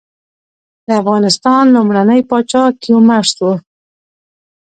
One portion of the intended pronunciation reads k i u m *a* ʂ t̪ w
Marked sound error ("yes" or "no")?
no